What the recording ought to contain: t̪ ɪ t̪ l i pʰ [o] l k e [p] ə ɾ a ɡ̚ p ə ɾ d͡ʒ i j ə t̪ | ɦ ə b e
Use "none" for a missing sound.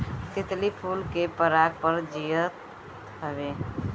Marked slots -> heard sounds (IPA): u, p

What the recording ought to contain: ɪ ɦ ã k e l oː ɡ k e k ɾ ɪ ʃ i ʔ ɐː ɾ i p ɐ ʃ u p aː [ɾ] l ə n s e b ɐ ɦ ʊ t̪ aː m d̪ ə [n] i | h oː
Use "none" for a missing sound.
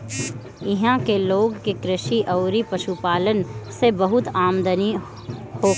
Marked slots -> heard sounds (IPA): none, n

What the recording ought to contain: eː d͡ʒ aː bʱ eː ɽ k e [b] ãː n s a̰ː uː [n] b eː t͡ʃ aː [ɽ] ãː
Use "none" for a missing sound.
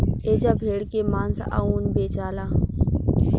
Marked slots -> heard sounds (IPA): m, n, l

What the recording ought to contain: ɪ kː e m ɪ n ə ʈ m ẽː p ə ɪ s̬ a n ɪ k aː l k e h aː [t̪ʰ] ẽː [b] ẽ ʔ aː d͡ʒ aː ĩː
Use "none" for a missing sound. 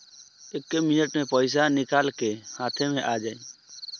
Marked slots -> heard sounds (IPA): t̪ʰ, m

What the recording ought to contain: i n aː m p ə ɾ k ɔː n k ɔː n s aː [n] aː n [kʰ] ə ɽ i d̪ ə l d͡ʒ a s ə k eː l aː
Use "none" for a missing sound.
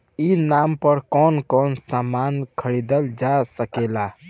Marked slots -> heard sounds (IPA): m, kʰ

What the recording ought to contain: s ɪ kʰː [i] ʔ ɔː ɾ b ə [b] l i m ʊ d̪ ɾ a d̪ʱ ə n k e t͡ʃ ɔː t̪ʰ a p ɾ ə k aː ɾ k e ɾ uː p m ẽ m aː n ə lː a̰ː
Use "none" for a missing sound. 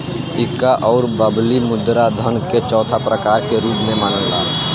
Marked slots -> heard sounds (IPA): a, b

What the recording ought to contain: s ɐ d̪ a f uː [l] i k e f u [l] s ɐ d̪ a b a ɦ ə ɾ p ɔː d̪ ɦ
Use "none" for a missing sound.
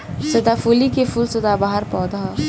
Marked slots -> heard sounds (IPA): l, l

